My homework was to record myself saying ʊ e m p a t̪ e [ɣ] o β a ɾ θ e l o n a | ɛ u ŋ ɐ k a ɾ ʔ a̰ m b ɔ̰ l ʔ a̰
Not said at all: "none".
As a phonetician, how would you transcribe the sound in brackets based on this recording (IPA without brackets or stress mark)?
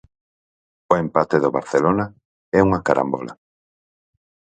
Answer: ð